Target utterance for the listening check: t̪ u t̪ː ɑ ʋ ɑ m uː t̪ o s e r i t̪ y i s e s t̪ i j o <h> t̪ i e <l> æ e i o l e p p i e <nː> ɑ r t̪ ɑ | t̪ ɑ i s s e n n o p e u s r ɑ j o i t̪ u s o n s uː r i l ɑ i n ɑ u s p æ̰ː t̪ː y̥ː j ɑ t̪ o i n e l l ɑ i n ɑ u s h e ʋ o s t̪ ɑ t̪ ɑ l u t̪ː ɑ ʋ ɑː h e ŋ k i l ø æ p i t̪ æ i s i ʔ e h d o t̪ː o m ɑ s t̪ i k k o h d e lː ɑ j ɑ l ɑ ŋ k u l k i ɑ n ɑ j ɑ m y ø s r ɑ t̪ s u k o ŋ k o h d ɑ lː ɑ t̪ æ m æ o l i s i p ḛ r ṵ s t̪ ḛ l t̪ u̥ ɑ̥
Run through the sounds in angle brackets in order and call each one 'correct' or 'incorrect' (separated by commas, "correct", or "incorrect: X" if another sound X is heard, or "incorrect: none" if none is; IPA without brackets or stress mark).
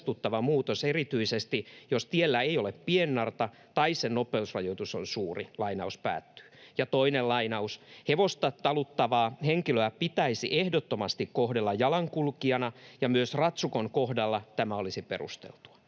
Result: incorrect: s, incorrect: lː, correct